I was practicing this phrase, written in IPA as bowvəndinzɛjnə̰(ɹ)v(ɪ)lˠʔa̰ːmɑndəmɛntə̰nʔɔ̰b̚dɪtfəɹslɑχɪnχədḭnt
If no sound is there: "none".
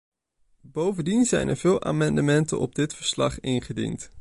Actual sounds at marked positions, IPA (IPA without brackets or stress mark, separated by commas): ɹ, ɪː